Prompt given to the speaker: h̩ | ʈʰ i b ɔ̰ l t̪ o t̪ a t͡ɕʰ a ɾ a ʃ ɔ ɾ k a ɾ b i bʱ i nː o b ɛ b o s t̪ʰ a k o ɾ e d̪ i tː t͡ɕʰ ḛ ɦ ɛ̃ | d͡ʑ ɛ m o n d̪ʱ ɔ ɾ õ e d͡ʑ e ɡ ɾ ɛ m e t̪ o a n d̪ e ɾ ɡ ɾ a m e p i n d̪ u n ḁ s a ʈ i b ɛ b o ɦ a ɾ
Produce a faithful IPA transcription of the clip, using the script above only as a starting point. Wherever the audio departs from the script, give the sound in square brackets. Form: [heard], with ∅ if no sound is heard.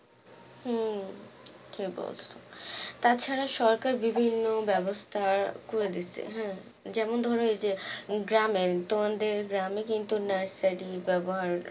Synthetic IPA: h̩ | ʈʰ i b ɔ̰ l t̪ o t̪ a t͡ɕʰ a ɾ a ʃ ɔ ɾ k a ɾ b i bʱ i nː o b ɛ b o s t̪ʰ a k o ɾ e d̪ i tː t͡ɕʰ ḛ ɦ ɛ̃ | d͡ʑ ɛ m o n d̪ʱ ɔ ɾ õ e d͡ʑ e ɡ ɾ [a] m e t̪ o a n d̪ e ɾ ɡ ɾ a m e [k] i n [t̪] u n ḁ s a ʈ i b ɛ b o ɦ a ɾ